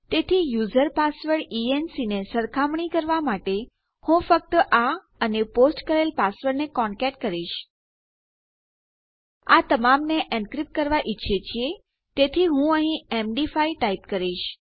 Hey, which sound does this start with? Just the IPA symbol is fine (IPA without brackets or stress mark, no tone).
t̪